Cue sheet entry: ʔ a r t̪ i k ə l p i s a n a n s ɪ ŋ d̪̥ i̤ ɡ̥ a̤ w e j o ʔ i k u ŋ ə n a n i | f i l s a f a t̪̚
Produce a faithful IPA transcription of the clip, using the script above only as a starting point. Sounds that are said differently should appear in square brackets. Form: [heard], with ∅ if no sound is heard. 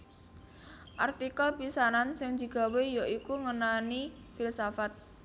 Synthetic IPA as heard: ʔ a r t̪ i k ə l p i s a n a n s ɪ ŋ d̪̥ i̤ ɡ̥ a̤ w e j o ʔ i k u ŋ ə n a n i | f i l s a f a t̪̚